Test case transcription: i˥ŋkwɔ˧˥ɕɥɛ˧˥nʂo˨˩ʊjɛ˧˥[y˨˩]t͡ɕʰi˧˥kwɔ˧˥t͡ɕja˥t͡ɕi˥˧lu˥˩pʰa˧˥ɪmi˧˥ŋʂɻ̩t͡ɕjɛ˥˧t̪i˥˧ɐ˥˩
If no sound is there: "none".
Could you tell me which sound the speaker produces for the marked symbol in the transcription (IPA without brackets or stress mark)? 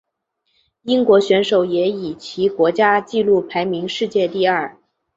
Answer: i˨˩